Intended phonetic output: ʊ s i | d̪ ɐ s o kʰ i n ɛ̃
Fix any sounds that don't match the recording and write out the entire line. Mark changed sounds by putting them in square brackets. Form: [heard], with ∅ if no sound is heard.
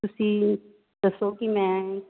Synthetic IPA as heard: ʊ s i | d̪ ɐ s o [k] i [m] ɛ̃